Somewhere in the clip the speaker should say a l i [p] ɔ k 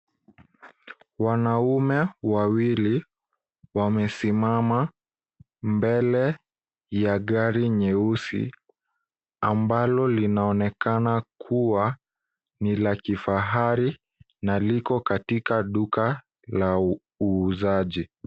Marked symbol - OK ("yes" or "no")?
no